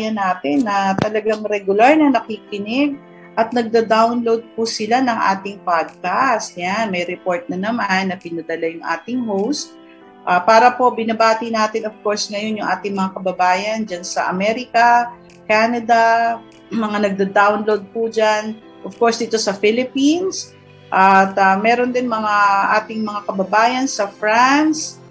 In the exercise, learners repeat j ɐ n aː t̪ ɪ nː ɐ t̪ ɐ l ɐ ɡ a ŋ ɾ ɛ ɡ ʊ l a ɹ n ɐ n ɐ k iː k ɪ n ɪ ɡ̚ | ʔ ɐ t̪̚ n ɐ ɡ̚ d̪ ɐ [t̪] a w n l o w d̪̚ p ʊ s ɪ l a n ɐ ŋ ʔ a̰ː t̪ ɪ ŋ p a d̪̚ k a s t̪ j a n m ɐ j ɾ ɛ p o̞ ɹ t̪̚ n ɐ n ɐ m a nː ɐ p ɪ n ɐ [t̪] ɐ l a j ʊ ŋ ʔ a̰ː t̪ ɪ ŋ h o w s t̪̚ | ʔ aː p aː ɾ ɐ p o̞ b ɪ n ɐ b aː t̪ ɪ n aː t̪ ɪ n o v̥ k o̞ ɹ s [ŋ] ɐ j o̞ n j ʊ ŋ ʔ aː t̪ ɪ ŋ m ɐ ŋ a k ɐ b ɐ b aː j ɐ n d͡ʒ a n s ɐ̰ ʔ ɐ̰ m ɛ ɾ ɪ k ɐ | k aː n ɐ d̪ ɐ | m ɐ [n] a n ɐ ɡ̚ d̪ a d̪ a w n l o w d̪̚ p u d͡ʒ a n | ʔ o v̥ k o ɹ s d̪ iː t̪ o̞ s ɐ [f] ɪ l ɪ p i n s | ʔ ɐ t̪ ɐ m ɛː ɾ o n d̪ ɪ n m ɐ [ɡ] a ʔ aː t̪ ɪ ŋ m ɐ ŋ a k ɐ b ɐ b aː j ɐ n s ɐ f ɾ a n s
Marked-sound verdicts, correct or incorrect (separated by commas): incorrect, incorrect, correct, incorrect, correct, incorrect